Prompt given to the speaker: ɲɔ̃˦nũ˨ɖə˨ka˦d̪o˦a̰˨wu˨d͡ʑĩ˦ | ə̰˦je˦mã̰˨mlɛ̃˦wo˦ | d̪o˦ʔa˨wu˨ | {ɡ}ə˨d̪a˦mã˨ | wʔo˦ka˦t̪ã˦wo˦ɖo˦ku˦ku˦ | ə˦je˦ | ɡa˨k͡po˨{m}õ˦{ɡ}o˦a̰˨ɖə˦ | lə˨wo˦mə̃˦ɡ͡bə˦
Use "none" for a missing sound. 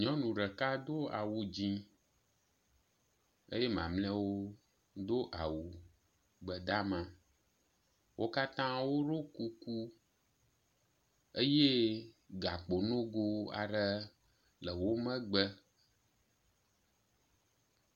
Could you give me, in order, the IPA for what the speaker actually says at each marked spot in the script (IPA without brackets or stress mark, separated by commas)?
ɡ͡b, n, ɡ